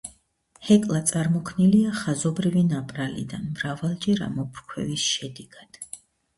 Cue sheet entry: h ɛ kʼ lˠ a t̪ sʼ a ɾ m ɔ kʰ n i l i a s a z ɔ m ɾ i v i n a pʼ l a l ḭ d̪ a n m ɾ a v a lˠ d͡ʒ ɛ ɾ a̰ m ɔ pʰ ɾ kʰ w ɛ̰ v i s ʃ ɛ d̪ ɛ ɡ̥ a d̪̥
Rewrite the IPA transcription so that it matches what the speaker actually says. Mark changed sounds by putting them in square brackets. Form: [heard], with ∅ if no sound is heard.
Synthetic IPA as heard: h ɛ kʼ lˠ a t̪ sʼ a ɾ m ɔ kʰ n i l i a [χ] a z ɔ [b] ɾ i v i n a pʼ [ɾ] a l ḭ d̪ a n m ɾ a v a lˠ d͡ʒ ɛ ɾ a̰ m ɔ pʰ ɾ kʰ w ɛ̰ v i s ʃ ɛ d̪ ɛ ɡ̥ a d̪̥